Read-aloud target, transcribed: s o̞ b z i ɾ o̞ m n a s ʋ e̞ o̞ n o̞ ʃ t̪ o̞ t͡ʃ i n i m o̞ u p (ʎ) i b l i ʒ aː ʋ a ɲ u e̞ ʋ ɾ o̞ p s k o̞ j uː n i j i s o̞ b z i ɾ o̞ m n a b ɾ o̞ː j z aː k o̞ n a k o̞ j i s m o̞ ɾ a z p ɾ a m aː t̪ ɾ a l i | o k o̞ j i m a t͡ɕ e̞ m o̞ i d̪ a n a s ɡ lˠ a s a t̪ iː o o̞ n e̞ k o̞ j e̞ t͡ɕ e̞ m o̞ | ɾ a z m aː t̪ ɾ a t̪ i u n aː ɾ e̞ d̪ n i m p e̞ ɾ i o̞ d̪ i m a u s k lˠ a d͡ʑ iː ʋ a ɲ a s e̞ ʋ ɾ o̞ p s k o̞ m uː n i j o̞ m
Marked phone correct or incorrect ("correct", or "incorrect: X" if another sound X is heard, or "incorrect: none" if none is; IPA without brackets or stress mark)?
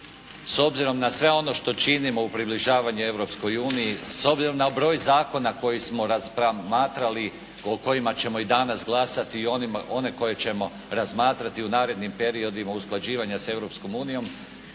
incorrect: ɾ